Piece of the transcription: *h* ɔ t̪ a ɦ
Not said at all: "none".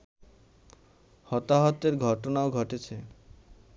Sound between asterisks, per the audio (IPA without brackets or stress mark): h